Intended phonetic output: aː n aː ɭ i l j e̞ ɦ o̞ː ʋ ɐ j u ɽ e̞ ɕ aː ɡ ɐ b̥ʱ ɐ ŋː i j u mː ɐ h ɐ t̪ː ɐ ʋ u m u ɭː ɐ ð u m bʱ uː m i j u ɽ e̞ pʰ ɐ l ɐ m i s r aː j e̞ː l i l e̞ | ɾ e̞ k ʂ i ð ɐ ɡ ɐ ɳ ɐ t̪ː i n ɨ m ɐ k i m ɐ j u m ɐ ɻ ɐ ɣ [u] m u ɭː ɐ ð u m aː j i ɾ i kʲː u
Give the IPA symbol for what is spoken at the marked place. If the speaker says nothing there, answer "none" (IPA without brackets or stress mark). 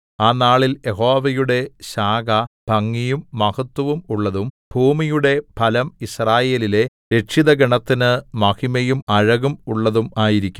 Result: u